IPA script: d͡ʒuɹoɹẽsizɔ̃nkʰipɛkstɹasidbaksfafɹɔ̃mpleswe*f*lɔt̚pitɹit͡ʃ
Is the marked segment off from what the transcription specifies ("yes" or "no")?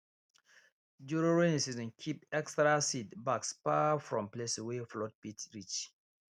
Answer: no